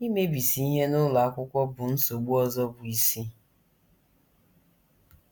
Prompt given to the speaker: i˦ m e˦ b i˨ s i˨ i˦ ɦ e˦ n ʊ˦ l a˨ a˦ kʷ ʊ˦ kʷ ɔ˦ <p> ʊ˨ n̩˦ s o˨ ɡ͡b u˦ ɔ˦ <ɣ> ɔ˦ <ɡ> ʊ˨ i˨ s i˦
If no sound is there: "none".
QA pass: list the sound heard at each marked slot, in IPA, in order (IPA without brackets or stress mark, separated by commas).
b, z, b